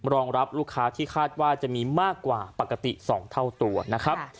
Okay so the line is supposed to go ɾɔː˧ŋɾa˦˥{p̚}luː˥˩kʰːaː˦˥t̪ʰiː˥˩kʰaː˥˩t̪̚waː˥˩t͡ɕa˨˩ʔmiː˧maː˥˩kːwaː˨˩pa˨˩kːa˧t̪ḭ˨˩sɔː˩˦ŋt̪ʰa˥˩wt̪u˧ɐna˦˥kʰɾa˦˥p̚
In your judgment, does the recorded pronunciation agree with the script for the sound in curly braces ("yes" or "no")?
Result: yes